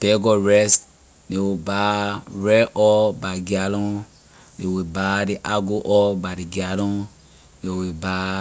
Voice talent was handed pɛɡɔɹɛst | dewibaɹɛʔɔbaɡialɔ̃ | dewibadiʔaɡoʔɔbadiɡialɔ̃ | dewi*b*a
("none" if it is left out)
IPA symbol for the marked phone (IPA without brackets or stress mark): b